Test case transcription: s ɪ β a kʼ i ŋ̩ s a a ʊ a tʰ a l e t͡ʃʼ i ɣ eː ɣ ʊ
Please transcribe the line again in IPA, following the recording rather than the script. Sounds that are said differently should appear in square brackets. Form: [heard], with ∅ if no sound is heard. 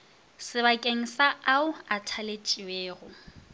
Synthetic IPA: s ɪ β a kʼ [e] ŋ̩ s a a ʊ a tʰ a l e t͡ʃʼ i [w] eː ɣ ʊ